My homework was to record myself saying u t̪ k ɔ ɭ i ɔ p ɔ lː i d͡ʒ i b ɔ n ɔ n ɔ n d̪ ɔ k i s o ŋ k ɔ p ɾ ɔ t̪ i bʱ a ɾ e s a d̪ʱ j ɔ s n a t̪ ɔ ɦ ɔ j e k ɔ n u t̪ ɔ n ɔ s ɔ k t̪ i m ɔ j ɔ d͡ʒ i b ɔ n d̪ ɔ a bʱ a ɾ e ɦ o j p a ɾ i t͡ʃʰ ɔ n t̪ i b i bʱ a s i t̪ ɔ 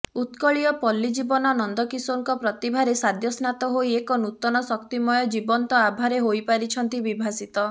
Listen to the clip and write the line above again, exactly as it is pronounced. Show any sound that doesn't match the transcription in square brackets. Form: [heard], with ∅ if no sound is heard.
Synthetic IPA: u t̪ k ɔ ɭ i ɔ p ɔ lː i d͡ʒ i b ɔ n ɔ n ɔ n d̪ ɔ k i s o ŋ k ɔ p ɾ ɔ t̪ i bʱ a ɾ e s a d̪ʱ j ɔ s n a t̪ ɔ ɦ [o] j e k ɔ n u t̪ ɔ n ɔ s ɔ k t̪ i m ɔ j ɔ d͡ʒ i b ɔ n [t̪] ɔ a bʱ a ɾ e ɦ o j p a ɾ i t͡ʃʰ ɔ n t̪ i b i bʱ a s i t̪ ɔ